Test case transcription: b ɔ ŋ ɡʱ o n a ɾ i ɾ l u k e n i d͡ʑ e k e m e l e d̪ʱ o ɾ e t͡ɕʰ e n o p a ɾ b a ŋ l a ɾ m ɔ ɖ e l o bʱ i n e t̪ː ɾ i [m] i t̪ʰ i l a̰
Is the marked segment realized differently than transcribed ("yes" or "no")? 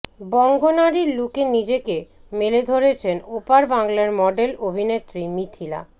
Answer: no